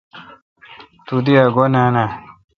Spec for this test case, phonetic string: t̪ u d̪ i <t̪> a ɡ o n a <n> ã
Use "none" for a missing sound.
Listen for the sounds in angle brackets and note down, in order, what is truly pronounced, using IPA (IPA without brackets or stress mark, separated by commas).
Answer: none, n